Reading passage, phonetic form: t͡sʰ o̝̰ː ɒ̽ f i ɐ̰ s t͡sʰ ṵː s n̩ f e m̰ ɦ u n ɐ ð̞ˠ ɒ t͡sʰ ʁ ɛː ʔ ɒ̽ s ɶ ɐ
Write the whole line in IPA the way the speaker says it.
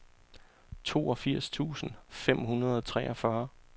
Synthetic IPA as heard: t͡sʰ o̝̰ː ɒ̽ f i ɐ̰ s t͡sʰ ṵː s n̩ f e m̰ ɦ u n ɐ ð̞ˠ ɒ t͡sʰ ʁ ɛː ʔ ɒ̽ f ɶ ɐ